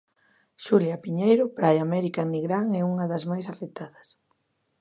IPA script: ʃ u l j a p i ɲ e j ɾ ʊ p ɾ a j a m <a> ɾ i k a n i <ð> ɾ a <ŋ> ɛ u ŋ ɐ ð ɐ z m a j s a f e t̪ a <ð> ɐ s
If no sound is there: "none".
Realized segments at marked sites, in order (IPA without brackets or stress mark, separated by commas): ɛ, ɣ, ŋ, ð